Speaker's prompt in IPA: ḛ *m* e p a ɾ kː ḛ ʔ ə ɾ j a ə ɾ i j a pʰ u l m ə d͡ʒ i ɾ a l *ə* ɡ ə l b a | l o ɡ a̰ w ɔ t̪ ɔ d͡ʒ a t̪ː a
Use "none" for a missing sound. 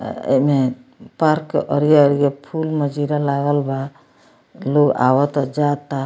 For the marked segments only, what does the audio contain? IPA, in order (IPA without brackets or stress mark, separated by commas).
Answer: m, a